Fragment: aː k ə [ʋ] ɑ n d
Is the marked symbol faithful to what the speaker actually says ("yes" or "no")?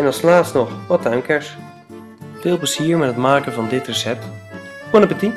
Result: no